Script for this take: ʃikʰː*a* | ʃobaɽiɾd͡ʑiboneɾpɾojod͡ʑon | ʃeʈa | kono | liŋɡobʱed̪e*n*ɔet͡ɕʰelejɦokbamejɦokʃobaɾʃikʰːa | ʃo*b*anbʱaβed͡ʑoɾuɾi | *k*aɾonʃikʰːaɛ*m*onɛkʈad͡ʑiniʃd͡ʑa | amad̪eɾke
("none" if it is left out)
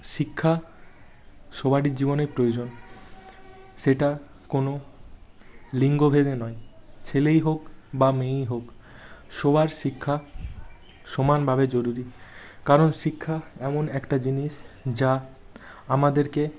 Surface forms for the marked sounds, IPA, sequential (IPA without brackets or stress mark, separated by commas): a, n, m, k, m